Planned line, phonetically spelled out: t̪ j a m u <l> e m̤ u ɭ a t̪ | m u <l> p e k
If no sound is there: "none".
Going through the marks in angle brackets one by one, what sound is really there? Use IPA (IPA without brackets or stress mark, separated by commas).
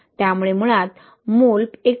ɭ, l